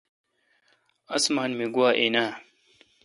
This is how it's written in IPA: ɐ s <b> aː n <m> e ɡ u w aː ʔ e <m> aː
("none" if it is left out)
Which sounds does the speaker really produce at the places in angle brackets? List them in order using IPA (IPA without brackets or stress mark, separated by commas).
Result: m, m, n